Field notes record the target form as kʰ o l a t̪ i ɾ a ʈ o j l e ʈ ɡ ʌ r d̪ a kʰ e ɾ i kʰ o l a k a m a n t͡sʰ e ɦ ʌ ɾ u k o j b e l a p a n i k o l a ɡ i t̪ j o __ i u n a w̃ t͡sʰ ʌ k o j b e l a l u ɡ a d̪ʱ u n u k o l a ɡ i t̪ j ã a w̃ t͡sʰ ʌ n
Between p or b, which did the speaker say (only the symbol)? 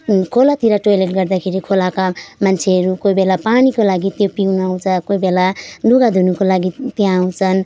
p